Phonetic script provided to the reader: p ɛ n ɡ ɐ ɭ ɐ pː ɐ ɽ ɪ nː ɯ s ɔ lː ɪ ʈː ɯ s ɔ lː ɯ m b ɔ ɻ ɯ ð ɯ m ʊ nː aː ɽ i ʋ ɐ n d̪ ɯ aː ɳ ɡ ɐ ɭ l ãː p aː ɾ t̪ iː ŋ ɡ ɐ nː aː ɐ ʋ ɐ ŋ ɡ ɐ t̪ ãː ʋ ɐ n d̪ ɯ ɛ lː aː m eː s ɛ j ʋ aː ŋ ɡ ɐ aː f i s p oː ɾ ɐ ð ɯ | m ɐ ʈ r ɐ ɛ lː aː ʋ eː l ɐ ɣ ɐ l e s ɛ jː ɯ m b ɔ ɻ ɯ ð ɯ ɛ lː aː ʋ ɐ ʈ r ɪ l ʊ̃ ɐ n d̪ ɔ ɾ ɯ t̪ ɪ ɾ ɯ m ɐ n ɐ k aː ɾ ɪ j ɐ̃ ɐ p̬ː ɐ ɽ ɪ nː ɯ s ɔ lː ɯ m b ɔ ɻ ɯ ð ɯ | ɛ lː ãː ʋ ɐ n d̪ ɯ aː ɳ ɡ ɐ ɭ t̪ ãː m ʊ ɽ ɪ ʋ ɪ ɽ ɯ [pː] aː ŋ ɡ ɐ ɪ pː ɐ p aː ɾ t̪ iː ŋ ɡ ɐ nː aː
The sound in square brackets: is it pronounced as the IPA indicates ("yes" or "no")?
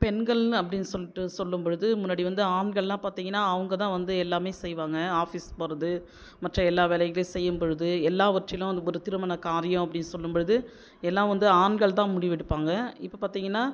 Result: yes